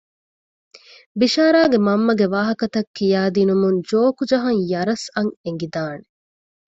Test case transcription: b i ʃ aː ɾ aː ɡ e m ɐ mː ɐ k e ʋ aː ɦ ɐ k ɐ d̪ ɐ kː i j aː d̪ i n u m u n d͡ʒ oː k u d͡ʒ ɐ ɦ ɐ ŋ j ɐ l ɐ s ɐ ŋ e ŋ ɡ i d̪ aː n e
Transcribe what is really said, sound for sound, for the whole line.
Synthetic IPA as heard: b i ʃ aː ɾ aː ɡ e m ɐ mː ɐ ɡ e ʋ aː ɦ ɐ k ɐ t̪ ɐ kː i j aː d̪ i n u m u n d͡ʒ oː k u d͡ʒ ɐ ɦ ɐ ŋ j ɐ ɾ ɐ s ɐ ŋ e ŋ ɡ i d̪ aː n e